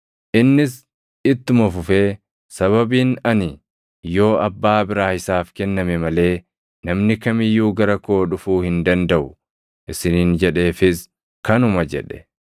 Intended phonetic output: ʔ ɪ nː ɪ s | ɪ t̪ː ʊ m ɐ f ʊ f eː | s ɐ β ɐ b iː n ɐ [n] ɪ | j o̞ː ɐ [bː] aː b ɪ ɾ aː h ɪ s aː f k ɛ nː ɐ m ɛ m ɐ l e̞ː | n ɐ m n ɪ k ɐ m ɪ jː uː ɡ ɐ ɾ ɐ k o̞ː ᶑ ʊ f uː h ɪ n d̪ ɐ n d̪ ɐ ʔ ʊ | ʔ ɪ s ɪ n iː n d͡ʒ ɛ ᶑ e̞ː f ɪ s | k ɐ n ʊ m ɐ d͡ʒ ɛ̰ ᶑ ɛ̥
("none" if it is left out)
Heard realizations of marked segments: n, bː

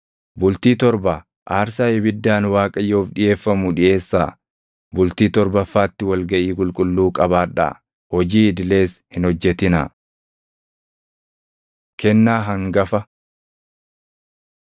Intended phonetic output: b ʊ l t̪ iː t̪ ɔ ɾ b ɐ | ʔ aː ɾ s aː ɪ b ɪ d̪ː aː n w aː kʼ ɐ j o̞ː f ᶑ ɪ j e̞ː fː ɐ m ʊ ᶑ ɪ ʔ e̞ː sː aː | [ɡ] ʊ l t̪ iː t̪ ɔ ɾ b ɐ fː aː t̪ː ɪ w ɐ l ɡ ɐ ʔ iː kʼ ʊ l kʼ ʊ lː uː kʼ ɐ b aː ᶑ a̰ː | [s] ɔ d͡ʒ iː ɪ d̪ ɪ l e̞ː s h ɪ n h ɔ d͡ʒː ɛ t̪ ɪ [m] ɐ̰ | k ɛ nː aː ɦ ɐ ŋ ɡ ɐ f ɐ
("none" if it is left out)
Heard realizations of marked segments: b, h, n

